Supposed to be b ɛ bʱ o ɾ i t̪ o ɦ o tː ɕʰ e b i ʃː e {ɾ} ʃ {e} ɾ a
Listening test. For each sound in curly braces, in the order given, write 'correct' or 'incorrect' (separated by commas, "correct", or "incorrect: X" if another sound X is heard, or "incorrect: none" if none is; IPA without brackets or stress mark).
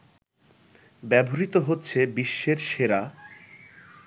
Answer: correct, correct